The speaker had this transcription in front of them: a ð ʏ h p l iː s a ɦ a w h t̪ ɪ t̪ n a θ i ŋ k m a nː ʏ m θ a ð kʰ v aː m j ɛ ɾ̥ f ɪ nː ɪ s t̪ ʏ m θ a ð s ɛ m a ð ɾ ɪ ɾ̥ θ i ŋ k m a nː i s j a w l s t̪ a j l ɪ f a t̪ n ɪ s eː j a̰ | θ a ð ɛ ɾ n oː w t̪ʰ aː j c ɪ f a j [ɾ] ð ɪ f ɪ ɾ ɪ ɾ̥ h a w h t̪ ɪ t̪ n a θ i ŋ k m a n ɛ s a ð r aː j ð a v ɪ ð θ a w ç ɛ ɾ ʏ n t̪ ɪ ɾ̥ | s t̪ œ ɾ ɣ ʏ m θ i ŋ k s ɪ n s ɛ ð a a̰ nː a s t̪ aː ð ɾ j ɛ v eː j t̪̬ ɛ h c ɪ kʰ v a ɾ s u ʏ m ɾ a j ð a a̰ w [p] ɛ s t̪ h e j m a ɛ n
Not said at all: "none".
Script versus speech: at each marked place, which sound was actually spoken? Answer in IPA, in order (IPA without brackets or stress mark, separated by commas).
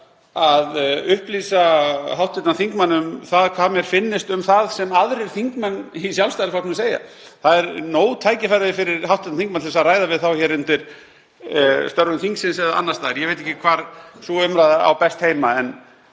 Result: ɾ, p